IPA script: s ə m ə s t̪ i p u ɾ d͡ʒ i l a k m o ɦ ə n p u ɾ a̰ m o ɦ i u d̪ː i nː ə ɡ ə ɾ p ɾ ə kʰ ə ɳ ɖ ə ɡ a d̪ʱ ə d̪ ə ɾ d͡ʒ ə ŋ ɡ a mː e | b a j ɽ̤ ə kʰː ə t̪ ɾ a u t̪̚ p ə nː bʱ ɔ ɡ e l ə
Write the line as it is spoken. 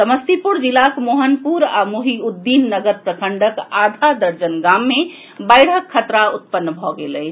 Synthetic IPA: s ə m ə s t̪ i p u ɾ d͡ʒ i l a k m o ɦ ə n p u ɾ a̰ m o ɦ i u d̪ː i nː ə ɡ ə ɾ p ɾ ə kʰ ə ɳ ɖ ə k a d̪ʱ a d̪ ə ɾ d͡ʒ ə n ɡ a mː e | b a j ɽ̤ ə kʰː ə t̪ ɾ a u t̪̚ p ə nː bʱ ɔ ɡ e l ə

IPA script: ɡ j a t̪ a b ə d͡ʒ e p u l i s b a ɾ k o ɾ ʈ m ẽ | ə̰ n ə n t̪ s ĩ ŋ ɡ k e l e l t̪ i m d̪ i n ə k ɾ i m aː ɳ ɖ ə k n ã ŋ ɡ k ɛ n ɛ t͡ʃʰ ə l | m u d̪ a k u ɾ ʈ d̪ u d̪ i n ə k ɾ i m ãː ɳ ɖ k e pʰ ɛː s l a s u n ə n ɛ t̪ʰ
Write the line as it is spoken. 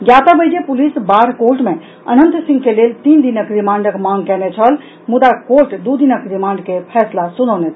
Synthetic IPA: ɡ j a t̪ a b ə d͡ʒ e p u l i s b a ɾ k o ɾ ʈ m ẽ | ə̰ n ə n t̪ s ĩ ŋ ɡ k e l e l t̪ i n d̪ i n ə k ɾ i m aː ɳ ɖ ə k m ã ŋ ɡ k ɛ n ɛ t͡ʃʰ ə l | m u d̪ a k o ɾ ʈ d̪ u d̪ i n ə k ɾ i m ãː ɳ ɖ k e pʰ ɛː s l a s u n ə n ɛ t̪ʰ

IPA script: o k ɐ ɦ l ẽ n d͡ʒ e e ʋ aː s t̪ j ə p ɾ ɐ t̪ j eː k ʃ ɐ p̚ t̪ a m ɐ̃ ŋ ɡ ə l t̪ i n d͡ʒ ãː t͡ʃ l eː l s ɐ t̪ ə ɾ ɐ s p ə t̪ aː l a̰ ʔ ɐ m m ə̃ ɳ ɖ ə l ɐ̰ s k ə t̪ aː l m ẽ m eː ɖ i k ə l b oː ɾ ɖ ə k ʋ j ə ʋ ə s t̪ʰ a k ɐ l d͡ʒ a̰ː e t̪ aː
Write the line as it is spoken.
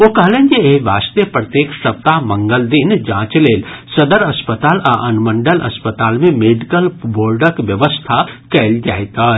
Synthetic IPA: o k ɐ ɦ l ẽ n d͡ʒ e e ʋ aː s t̪ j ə p ɾ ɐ t̪ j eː k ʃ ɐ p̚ t̪ a m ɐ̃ ŋ ɡ ə l d̪ i n d͡ʒ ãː t͡ʃ l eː l s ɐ d̪ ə ɾ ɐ s p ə t̪ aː l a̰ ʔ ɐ n m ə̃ ɳ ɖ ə l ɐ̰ s p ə t̪ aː l m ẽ m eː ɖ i k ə l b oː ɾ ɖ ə k ʋ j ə ʋ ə s t̪ʰ a k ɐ l d͡ʒ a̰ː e t̪ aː

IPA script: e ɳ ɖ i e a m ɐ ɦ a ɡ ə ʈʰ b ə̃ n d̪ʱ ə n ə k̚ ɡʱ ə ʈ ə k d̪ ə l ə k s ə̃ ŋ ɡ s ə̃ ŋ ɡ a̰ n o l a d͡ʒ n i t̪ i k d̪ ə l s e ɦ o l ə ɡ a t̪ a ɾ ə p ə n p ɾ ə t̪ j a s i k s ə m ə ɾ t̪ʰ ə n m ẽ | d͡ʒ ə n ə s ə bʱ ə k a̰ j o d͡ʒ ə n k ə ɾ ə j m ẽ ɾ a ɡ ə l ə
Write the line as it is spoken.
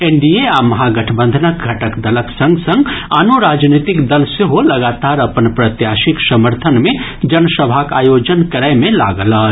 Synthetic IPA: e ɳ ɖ i e a m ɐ ɦ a ɡ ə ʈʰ b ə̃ n d̪ʱ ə n ə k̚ ɡʱ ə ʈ ə k d̪ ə l ə k s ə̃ ŋ ɡ s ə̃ ŋ ɡ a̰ n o ɾ a d͡ʒ n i t̪ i k d̪ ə l s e ɦ o l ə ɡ a t̪ a ɾ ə p ə n p ɾ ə t̪ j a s i k s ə m ə ɾ t̪ʰ ə n m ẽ | d͡ʒ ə n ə s ə bʱ a k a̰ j o d͡ʒ ə n k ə ɾ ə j m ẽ l a ɡ ə l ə

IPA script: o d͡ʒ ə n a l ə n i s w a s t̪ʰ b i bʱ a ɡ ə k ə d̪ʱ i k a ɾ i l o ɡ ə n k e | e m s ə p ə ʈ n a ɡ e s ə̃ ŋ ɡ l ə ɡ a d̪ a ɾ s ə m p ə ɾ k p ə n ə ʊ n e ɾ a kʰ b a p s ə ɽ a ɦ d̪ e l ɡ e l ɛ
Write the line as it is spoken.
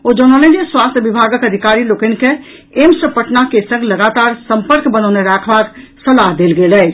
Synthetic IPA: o d͡ʒ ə n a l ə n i s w a s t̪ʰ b i bʱ a ɡ ə k ə d̪ʱ i k a ɾ i l o k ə n k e | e m s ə p ə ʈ n a k e s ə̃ ŋ ɡ l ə ɡ a t̪ a ɾ s ə m p ə ɾ k b ə n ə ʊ n e ɾ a kʰ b a k s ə l a ɦ d̪ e l ɡ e l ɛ

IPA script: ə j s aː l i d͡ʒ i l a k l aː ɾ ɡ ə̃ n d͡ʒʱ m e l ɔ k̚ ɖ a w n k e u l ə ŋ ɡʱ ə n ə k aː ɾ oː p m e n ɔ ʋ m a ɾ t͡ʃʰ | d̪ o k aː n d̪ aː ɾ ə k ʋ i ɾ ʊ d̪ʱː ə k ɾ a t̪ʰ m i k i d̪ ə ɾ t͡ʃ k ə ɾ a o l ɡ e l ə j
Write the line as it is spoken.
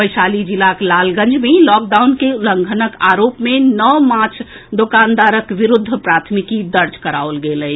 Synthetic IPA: ə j s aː l i d͡ʒ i l a k l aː l ɡ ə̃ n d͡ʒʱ m e l ɔ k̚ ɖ a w n k e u l ə ŋ ɡʱ ə n ə k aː ɾ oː p m e n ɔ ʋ m a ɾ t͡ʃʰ | d̪ o k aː n d̪ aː ɾ ə k ʋ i ɾ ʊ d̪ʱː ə p ɾ a t̪ʰ m i k i d̪ ə ɾ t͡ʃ k ə ɾ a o l ɡ e l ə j

